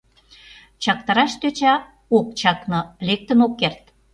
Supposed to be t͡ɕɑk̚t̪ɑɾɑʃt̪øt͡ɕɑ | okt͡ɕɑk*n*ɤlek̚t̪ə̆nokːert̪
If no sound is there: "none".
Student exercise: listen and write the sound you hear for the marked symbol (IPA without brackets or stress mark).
n